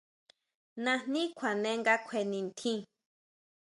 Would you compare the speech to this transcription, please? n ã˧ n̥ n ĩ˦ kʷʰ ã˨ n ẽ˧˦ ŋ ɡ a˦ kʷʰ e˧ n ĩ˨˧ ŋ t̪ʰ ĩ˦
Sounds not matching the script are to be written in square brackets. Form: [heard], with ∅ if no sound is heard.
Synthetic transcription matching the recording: n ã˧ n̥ n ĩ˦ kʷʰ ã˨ n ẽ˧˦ ŋ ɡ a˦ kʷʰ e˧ n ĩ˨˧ [n] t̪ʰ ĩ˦